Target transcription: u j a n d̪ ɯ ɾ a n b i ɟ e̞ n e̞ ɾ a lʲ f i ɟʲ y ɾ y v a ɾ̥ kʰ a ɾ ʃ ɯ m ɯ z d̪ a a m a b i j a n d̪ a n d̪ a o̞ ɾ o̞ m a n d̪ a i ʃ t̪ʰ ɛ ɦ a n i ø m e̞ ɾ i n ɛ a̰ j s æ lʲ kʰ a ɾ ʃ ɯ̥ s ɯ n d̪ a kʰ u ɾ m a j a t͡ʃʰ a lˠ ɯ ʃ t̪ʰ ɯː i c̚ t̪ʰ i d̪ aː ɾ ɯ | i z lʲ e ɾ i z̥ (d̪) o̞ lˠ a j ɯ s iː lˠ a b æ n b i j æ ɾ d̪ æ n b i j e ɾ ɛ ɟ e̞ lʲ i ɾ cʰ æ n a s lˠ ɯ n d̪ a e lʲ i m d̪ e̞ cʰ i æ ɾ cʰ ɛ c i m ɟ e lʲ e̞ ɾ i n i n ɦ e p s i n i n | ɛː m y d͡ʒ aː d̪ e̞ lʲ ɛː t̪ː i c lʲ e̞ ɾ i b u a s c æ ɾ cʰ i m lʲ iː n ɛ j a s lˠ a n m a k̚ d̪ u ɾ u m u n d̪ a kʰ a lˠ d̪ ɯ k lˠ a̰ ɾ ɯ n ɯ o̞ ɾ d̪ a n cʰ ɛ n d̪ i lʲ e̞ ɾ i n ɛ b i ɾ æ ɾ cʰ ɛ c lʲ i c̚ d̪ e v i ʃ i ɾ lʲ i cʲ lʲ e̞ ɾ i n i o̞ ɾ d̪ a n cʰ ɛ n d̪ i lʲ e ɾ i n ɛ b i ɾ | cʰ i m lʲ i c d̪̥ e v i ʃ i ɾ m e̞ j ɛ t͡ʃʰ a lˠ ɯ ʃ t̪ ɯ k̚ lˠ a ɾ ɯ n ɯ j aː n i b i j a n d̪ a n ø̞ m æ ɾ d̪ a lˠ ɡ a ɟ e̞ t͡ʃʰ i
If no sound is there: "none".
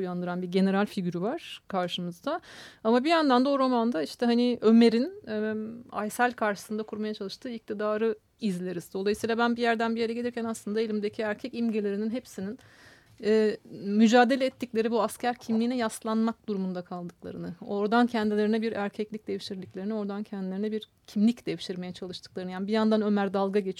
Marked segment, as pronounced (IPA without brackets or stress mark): d̪